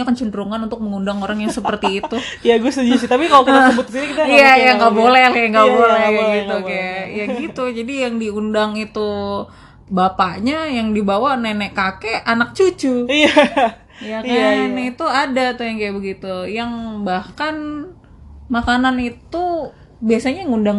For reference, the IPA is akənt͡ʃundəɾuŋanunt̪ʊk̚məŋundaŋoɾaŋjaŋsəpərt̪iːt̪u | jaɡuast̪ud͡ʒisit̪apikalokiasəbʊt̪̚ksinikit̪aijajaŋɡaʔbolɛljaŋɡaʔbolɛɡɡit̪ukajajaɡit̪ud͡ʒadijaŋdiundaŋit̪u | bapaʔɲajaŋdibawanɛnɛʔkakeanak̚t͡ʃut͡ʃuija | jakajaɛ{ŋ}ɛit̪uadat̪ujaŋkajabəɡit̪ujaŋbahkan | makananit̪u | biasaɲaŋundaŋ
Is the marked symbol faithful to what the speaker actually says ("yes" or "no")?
no